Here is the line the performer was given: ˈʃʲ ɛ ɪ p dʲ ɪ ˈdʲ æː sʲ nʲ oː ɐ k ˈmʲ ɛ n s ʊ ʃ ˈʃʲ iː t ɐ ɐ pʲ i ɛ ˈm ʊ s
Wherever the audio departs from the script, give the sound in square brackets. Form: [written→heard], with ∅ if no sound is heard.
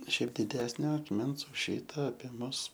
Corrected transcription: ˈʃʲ ɛ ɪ p dʲ ɪ ˈdʲ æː sʲ nʲ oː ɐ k ˈmʲ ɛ n s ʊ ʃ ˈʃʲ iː t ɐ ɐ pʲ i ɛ ˈm ʊ s